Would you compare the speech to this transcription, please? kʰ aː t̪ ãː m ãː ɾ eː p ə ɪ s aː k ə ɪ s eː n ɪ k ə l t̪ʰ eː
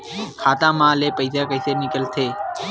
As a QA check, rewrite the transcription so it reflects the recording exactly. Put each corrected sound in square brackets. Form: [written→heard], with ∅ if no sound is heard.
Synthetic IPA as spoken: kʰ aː t̪ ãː m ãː [ɾ→l] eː p ə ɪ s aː k ə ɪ s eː n ɪ k ə l t̪ʰ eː